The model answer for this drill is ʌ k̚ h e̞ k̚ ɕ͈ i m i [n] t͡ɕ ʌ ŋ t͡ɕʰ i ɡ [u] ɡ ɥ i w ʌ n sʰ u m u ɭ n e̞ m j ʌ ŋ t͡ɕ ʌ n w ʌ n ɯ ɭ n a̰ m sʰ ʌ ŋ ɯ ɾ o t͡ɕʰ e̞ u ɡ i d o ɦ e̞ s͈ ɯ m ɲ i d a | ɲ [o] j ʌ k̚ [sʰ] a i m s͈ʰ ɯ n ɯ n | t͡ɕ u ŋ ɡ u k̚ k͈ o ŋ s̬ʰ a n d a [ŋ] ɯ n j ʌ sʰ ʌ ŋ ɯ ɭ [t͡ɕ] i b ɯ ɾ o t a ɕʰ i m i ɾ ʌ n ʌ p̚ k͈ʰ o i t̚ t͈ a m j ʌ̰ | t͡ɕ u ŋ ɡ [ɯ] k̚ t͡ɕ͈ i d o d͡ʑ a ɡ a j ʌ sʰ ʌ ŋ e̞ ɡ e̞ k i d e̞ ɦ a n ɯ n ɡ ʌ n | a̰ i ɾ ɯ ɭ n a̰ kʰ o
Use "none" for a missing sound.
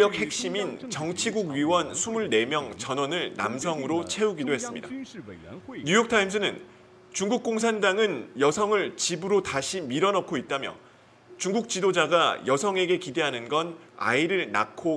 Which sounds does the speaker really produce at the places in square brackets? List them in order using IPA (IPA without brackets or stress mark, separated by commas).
n, u, u, tʰ, ŋ, t͡ɕ, u